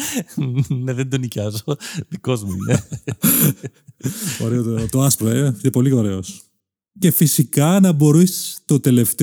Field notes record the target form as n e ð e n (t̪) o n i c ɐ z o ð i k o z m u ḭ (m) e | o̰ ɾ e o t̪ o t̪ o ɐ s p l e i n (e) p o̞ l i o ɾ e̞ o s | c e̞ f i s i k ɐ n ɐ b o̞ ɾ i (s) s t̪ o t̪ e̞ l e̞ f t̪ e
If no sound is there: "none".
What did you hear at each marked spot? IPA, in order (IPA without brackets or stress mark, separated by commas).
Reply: d̪, n, e, s